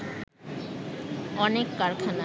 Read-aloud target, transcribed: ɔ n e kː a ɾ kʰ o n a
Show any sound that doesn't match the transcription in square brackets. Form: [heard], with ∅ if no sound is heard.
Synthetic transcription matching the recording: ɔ n e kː a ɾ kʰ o n a